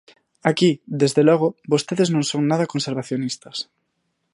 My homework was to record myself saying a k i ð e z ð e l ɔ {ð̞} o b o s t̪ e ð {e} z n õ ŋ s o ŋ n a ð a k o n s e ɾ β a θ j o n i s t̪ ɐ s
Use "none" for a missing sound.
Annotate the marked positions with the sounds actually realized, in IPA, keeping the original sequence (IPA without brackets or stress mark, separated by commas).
ɣ̞, e